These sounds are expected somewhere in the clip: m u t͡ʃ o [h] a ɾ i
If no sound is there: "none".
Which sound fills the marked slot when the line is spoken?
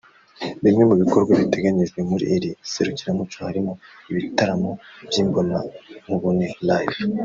h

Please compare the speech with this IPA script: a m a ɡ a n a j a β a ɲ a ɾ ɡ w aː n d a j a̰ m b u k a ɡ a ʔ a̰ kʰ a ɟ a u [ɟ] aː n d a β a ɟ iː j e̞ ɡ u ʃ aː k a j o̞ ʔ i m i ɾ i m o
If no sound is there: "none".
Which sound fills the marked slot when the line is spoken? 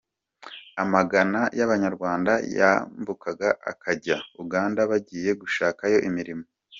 ɡ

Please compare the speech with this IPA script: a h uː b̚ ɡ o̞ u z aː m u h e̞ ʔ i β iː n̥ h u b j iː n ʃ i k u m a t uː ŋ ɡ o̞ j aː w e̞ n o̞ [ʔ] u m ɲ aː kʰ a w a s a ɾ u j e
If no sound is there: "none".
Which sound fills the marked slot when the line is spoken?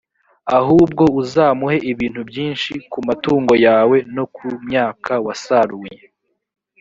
k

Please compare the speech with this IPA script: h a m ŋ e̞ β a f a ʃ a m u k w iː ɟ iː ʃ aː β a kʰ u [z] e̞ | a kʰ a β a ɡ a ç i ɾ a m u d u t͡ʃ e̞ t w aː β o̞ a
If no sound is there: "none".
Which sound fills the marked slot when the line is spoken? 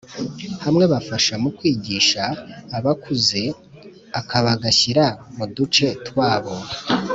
z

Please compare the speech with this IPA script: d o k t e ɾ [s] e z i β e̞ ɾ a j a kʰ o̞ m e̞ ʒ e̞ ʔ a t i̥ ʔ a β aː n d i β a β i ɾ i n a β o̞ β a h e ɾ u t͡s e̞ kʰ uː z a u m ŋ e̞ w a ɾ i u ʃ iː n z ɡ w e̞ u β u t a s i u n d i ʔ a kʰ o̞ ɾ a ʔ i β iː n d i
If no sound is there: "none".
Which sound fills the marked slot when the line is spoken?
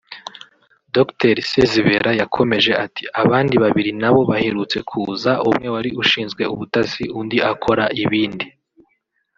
s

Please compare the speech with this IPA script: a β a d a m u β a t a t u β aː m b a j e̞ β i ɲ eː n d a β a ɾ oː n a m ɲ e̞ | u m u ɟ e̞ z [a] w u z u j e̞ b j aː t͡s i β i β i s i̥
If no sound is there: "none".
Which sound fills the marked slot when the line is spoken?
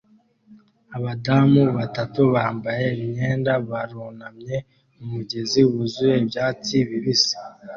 i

